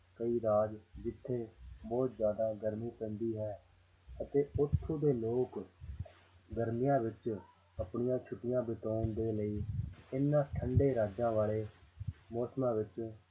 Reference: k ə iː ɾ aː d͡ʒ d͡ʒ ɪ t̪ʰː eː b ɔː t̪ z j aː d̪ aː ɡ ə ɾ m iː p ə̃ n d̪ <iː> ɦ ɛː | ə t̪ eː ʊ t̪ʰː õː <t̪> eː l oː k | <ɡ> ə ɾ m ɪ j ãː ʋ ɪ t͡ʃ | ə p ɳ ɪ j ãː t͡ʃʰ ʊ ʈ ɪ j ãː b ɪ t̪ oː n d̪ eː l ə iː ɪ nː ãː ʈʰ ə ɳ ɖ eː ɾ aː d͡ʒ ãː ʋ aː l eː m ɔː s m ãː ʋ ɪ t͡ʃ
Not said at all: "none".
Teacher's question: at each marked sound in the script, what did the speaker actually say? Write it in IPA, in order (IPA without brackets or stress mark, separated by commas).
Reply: iː, d̪, ɡ